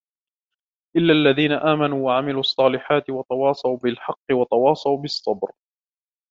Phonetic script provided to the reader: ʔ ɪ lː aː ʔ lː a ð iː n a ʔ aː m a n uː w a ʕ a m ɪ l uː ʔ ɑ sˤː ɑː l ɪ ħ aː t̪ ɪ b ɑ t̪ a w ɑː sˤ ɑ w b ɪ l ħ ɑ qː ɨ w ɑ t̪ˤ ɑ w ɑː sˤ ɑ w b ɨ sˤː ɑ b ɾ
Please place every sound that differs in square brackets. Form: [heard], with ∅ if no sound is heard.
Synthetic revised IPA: ʔ ɪ lː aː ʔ lː a ð iː n a ʔ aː m a n uː w a ʕ a m ɪ l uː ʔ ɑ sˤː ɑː l ɪ ħ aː t̪ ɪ [w] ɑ t̪ [ɑ] w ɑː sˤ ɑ w b ɪ l ħ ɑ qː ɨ w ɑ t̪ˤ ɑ w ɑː sˤ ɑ w b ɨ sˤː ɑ b ɾ